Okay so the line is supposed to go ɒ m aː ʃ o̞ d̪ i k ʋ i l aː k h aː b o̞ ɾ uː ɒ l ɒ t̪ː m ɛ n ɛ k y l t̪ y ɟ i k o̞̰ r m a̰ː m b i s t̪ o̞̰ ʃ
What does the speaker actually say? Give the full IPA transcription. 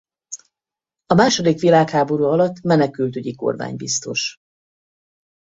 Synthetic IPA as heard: ɒ m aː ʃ o̞ d̪ i k ʋ i l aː k h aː b o̞ ɾ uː ɒ l ɒ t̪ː m ɛ n ɛ k y l t̪ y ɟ i k o̞̰ r m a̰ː ɲ b i s t̪ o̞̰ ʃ